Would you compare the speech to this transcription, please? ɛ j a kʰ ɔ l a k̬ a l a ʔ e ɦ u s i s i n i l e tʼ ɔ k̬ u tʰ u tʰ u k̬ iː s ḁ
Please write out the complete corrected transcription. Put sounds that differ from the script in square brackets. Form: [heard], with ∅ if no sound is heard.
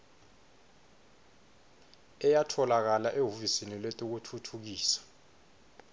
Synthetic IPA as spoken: ɛ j a [tʰ] ɔ l a k̬ a l a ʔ e ɦ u [f] i s i n i l e tʼ [u] k̬ u tʰ u tʰ u k̬ iː s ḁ